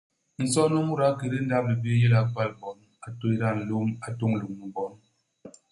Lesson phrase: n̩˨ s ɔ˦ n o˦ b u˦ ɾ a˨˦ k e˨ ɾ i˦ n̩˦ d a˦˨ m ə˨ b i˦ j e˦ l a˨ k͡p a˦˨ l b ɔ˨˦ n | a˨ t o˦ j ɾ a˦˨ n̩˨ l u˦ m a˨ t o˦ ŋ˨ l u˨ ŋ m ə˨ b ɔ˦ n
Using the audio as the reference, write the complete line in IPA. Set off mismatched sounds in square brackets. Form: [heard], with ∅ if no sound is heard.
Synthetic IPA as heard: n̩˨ s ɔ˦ n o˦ [m] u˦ ɾ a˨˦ k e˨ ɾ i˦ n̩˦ d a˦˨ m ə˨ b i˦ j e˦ l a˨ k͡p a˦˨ l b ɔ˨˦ n | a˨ t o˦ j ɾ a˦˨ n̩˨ l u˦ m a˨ t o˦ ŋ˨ l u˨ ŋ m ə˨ b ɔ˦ n

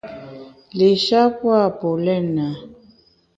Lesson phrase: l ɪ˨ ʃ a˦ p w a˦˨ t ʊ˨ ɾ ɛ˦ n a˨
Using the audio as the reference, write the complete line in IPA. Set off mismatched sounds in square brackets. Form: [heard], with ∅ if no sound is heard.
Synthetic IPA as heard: l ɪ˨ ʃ a˦ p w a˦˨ [p] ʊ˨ [l] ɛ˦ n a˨

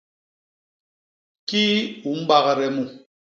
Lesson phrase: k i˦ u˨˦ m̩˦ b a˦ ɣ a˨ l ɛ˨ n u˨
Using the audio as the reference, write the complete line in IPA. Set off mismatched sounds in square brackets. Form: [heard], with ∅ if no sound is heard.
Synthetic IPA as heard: k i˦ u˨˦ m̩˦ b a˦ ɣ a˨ [ɾ] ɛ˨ [m] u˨

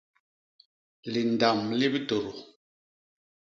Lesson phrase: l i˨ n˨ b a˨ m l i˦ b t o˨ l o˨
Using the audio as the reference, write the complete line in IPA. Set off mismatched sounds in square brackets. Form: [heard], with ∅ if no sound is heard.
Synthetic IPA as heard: l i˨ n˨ [d] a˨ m l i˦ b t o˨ [ɾ] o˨

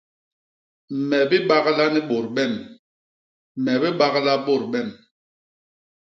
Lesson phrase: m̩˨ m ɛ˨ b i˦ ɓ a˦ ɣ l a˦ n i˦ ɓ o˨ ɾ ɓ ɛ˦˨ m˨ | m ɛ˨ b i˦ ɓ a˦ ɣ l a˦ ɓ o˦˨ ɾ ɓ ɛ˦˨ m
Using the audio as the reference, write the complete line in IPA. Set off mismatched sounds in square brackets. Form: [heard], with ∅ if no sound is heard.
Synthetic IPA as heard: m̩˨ m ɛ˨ b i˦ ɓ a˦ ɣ l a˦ n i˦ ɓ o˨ ɾ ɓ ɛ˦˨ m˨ | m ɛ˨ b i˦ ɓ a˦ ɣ l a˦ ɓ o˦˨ ɾ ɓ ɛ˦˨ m

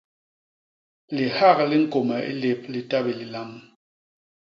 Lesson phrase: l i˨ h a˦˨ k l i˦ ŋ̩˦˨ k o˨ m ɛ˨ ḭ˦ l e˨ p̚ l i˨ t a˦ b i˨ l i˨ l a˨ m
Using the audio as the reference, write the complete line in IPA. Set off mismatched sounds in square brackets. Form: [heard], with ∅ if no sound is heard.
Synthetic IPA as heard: l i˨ h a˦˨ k l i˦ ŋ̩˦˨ k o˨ m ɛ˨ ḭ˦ l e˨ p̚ l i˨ t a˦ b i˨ l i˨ l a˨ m

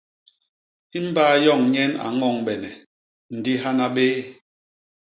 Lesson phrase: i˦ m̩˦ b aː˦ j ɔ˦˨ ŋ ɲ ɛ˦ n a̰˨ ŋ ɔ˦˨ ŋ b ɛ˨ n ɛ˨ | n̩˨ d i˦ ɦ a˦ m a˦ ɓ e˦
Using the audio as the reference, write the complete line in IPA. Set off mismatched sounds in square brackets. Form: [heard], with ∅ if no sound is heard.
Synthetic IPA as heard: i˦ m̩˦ b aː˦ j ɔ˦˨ ŋ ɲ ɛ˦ n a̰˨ ŋ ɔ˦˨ ŋ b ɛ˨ n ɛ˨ | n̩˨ d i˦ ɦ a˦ [n] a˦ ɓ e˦

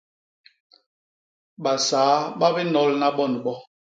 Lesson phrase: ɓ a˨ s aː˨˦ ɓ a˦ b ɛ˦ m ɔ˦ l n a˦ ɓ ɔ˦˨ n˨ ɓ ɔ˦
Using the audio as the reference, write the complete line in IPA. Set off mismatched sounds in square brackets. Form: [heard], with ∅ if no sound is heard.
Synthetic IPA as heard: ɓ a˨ s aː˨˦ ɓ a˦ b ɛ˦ [n] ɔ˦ l n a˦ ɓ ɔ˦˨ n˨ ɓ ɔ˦

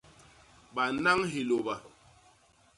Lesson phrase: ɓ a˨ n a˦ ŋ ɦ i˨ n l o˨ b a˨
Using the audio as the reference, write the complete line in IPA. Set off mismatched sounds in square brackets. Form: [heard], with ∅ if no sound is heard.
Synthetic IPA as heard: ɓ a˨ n a˦ ŋ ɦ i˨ [∅] l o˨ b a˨

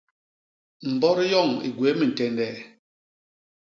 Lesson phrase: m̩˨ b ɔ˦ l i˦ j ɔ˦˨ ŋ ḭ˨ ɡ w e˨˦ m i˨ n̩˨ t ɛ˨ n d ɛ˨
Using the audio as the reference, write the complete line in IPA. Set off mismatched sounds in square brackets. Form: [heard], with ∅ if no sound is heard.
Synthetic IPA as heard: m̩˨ b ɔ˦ [ɾ] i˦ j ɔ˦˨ ŋ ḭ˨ ɡ w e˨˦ m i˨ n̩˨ t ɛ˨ n d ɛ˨

